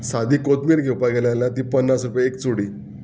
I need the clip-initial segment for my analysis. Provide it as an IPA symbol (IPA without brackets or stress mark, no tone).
s